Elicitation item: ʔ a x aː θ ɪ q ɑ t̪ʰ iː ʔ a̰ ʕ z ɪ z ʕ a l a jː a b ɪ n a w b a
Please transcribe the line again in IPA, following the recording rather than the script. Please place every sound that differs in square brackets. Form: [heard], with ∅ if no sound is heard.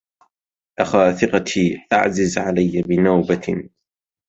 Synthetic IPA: ʔ a x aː θ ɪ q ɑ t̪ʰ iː ʔ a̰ ʕ z ɪ z ʕ a l a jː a b ɪ n a w b a